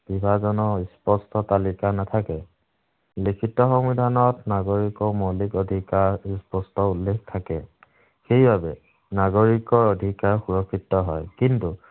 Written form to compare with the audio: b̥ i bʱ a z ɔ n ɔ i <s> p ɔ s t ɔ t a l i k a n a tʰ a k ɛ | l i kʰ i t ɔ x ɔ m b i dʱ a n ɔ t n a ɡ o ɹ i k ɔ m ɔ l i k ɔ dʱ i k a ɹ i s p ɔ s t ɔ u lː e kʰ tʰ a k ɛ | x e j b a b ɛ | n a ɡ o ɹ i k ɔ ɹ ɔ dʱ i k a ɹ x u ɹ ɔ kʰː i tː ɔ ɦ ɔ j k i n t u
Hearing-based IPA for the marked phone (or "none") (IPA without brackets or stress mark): s